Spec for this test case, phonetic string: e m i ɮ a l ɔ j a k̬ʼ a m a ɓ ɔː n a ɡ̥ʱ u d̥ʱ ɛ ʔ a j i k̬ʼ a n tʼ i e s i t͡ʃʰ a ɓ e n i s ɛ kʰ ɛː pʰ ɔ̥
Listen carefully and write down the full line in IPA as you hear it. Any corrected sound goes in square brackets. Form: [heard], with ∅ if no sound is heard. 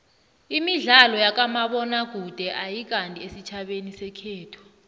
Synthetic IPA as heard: [i] m i ɮ a l ɔ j a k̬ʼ a m a ɓ [ɔ] n a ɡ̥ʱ u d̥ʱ ɛ ʔ a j i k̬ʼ a n tʼ i e s i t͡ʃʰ a ɓ e n i s ɛ kʰ ɛː [tʰ] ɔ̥